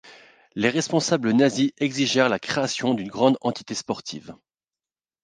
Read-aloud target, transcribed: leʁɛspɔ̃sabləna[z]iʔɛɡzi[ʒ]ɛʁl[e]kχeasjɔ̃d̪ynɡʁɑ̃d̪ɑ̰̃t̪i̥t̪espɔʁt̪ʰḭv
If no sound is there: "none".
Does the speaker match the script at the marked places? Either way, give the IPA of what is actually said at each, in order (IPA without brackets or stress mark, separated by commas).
z, ʒ, a